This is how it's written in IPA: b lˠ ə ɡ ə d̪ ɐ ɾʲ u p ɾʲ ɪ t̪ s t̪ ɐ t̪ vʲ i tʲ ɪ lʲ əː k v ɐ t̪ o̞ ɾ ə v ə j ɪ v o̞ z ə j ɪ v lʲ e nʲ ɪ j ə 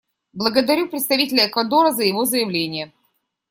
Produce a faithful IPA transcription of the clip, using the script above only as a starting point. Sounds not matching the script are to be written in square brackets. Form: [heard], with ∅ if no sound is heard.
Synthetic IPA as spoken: b lˠ ə ɡ ə d̪ ɐ ɾʲ u p ɾʲ ɪ t̪ s t̪ ɐ [∅] vʲ i tʲ ɪ lʲ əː k v ɐ [d̪] o̞ ɾ ə [z] ə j ɪ v o̞ z ə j ɪ v lʲ e nʲ ɪ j ə